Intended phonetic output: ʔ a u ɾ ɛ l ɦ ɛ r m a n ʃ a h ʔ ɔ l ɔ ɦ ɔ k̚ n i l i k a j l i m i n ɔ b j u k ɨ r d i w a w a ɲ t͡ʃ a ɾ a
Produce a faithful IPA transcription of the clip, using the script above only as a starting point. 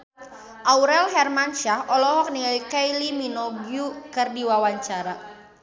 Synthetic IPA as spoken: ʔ a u ɾ ɛ l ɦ ɛ r m a n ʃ a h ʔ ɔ l ɔ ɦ ɔ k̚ n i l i k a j l i m i n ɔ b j u k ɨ r d i w a w a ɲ t͡ʃ a ɾ a